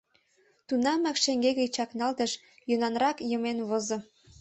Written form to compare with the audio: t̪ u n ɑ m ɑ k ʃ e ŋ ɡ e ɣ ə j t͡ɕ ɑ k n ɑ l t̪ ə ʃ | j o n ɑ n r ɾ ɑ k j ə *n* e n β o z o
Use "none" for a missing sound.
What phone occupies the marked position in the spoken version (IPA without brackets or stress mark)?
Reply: m